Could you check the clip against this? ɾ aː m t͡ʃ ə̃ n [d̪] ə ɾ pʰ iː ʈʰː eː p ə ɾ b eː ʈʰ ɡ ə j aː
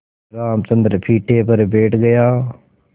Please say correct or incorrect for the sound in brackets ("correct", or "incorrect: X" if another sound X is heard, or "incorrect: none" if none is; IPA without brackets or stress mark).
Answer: correct